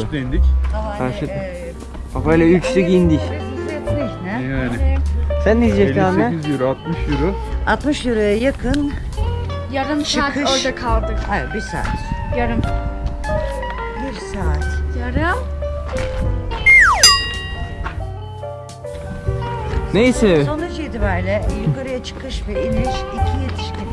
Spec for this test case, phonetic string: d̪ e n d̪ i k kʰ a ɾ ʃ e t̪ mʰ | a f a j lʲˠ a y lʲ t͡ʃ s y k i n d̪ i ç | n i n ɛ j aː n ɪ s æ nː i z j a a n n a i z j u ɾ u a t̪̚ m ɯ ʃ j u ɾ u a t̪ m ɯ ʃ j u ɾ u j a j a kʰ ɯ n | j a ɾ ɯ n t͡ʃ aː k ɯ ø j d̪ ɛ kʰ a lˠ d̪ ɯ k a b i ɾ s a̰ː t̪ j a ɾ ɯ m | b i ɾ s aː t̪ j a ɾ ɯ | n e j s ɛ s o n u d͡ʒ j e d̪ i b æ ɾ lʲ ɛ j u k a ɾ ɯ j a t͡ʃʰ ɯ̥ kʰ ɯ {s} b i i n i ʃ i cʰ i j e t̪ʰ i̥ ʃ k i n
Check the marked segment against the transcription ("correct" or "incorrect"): incorrect